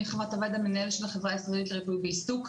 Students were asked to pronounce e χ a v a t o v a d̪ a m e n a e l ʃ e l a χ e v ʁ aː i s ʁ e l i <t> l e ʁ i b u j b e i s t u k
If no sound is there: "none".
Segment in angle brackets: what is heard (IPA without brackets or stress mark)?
t